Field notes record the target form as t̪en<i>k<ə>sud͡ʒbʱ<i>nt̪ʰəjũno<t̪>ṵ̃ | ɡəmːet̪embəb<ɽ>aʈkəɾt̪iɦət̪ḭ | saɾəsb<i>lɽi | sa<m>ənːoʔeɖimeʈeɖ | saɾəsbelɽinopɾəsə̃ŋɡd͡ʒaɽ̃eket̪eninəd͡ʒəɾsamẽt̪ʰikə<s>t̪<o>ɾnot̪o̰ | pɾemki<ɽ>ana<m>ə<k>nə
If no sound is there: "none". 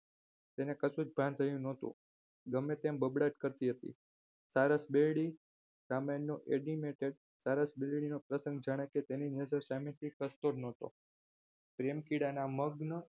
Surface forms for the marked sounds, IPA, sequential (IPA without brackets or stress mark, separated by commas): e, ə, a, t̪, ɽ, e, m, s, o, ɽ, m, ɡ